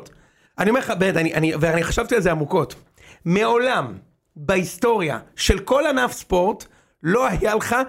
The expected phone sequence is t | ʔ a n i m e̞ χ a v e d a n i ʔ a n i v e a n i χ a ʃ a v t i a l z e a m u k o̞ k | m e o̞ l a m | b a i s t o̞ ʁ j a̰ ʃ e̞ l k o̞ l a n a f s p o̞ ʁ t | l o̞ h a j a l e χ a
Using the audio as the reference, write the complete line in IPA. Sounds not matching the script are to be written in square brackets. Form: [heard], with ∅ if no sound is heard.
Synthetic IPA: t | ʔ a n i m e̞ χ a [b] e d a n i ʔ a n i v e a n i χ a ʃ a v t i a l z e a m u k o̞ [t] | m e o̞ l a m | b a i s t o̞ ʁ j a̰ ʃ e̞ l k o̞ l a n a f s p o̞ ʁ t | l o̞ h a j a l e χ a